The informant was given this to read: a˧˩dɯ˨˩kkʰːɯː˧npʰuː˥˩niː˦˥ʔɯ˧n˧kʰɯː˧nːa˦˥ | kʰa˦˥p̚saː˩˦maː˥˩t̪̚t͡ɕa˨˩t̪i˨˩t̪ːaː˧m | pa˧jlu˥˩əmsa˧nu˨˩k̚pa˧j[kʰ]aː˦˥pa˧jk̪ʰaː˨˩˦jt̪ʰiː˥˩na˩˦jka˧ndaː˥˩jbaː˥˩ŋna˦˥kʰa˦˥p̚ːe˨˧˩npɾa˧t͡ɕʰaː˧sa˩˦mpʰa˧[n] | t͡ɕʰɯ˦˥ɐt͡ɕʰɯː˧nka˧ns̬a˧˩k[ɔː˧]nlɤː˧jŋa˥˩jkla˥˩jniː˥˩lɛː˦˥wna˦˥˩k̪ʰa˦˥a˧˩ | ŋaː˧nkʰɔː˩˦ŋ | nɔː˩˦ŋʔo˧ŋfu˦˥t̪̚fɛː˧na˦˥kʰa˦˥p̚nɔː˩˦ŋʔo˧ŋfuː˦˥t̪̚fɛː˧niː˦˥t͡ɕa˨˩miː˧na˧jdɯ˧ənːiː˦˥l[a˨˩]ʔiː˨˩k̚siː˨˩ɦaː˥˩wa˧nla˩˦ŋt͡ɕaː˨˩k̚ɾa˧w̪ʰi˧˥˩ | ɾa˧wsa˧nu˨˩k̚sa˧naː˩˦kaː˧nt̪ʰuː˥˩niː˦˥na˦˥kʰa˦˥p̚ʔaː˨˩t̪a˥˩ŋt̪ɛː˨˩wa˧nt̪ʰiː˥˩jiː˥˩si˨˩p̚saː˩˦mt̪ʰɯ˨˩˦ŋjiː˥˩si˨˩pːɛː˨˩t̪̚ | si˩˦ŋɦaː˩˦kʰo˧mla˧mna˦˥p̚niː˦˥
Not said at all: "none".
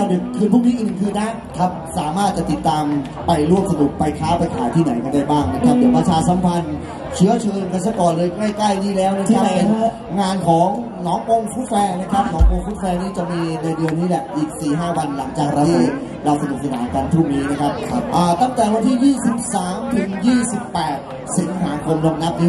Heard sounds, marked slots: kʰ, n, ɔː˨˩, ɛ˨˩

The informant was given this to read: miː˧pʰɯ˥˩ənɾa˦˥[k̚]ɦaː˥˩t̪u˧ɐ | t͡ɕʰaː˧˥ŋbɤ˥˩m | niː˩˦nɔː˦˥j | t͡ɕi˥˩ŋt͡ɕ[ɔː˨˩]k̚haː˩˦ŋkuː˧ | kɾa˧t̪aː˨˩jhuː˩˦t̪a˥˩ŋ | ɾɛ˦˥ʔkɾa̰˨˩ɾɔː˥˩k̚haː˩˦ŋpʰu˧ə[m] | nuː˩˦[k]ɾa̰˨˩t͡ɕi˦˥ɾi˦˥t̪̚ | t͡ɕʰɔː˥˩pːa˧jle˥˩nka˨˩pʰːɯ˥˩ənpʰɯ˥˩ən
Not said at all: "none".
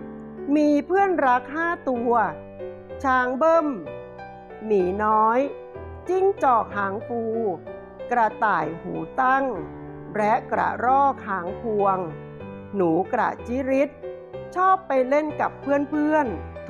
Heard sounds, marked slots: k̚, ɔː˨˩, ŋ, k

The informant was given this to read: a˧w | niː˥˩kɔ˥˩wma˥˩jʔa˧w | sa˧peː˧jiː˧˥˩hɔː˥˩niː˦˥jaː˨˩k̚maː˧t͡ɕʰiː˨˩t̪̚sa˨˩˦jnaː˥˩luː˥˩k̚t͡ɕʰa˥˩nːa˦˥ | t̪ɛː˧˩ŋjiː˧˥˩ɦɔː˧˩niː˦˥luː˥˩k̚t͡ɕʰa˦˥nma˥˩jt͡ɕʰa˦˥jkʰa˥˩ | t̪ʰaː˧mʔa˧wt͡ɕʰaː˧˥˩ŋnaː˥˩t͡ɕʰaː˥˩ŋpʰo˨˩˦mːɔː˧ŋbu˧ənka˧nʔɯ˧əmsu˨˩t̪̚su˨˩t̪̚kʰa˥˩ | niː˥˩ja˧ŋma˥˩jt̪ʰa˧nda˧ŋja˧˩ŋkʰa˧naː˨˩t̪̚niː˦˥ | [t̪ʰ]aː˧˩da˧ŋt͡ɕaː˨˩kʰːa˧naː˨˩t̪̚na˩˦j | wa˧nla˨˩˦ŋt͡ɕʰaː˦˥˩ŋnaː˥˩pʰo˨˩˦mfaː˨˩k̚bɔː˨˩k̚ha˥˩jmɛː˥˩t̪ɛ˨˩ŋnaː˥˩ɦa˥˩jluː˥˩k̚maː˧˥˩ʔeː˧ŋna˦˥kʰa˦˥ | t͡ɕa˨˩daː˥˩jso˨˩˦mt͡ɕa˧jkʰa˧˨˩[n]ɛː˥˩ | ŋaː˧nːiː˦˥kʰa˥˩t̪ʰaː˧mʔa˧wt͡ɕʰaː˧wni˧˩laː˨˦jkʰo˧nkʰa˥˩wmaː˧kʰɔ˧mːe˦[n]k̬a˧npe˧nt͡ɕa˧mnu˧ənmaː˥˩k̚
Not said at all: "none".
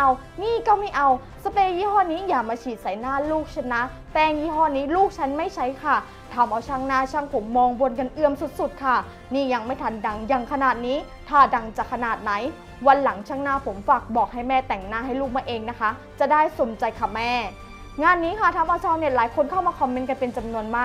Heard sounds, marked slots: t̪ʰ, m, n

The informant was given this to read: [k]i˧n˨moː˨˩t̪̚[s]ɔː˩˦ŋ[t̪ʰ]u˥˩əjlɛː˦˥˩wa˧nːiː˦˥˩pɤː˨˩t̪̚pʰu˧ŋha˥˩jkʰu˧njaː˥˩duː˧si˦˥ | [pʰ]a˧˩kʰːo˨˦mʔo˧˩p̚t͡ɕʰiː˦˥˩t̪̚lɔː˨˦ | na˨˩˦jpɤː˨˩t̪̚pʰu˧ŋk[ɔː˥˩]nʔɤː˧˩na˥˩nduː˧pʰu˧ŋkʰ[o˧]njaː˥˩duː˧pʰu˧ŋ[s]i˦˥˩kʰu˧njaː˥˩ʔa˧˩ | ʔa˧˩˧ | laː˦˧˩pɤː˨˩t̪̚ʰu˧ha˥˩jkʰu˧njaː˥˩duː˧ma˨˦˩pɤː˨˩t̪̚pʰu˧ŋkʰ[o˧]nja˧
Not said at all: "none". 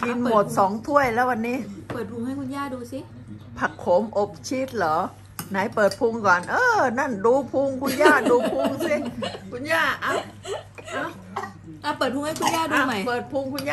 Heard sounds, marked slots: k, s, t̪ʰ, pʰ, ɔː˨˩, u˧, s, u˧

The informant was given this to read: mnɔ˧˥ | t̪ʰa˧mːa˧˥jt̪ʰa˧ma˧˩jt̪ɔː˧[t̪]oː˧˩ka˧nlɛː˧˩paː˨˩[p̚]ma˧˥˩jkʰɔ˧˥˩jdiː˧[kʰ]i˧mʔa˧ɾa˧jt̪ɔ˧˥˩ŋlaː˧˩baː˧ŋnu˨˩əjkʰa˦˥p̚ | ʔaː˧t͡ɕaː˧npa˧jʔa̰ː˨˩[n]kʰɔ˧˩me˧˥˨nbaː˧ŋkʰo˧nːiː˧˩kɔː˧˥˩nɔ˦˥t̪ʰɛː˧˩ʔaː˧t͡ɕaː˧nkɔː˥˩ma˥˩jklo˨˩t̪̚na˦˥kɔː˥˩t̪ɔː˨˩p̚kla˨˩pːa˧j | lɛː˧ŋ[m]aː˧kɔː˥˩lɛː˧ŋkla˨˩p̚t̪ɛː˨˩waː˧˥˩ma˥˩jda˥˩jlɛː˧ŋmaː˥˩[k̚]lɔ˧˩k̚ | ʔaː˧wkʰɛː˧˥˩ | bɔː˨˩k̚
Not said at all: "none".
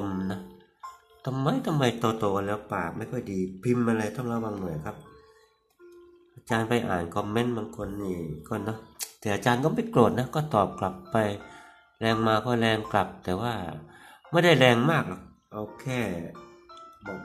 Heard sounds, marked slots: t̪, k̚, pʰ, n, m, k̚

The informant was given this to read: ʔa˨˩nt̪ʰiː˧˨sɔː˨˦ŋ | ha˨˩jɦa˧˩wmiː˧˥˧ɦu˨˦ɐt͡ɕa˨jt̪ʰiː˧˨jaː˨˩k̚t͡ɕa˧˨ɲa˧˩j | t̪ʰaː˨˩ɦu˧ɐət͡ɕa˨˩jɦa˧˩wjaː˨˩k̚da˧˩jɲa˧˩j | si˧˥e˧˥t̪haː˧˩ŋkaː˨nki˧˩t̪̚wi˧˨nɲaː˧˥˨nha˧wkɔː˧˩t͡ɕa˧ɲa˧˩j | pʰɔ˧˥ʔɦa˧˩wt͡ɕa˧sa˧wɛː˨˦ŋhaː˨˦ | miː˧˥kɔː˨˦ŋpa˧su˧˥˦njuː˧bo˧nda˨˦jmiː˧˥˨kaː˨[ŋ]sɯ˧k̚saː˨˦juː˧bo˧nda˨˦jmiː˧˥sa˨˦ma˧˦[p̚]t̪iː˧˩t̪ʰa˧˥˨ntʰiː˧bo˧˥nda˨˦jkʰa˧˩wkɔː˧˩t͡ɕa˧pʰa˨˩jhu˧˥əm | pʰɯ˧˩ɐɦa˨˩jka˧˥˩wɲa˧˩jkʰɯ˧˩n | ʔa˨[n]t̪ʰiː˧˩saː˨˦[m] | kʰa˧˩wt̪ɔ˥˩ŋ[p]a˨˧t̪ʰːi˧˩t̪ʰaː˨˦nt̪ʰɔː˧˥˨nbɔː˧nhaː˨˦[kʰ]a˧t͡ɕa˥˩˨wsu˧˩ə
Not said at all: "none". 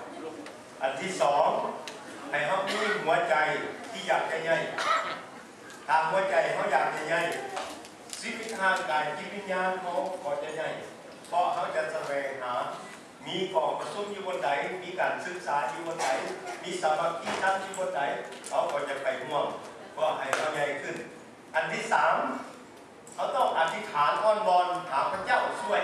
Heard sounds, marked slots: n, p̚, n, m, ʔ, pʰ

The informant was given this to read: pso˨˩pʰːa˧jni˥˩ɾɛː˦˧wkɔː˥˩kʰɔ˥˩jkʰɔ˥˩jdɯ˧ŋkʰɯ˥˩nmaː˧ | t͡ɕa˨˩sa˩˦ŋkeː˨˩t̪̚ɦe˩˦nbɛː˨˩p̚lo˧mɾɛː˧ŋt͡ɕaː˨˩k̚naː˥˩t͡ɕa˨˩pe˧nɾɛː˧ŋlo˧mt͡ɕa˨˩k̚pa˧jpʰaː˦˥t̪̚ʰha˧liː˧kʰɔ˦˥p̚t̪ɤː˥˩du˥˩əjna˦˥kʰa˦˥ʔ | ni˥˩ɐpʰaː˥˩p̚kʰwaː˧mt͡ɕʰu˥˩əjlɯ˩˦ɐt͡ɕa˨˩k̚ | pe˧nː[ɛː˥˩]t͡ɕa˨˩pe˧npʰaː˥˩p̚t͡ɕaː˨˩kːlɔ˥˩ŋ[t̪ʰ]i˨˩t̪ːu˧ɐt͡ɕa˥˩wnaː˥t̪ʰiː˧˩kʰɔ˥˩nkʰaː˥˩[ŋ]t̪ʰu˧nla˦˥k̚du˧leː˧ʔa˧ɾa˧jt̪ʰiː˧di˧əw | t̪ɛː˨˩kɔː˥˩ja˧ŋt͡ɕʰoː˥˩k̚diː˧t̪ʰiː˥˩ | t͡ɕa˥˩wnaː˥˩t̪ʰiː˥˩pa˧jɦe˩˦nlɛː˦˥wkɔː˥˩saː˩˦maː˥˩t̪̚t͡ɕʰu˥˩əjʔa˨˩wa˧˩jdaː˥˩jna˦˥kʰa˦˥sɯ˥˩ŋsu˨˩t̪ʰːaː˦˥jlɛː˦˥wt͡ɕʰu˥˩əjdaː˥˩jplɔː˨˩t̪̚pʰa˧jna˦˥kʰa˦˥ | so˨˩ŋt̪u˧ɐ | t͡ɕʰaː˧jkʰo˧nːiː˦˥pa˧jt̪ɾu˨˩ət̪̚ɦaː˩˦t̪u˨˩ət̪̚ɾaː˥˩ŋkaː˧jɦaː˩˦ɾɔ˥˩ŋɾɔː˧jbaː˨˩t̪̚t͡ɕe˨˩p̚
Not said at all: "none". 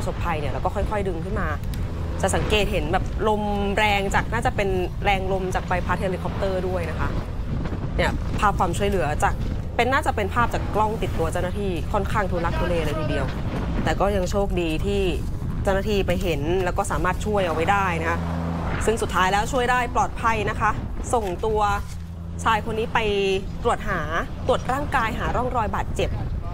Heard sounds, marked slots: aː˥˩, t̪, ŋ

